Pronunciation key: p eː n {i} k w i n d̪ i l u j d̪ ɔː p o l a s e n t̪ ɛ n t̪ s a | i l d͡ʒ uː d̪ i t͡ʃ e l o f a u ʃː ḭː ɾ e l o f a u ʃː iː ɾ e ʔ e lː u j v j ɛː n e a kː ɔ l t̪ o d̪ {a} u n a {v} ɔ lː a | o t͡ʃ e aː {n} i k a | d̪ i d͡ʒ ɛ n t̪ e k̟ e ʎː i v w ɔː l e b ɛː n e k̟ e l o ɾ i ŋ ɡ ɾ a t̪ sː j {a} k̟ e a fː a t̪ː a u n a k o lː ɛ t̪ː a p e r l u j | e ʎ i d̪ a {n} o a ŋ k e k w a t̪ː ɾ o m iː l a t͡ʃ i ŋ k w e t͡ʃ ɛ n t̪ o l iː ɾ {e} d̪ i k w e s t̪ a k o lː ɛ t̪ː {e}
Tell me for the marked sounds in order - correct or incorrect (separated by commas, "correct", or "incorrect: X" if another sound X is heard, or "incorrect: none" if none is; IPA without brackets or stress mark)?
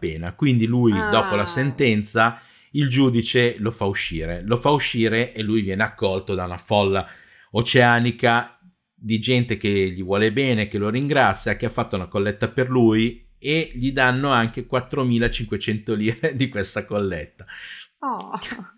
incorrect: a, correct, incorrect: f, correct, correct, incorrect: nː, correct, incorrect: a